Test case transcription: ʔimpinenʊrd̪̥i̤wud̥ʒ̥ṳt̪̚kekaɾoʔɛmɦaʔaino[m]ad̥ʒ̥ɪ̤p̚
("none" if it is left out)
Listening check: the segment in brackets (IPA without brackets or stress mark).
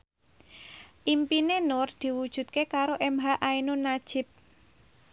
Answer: n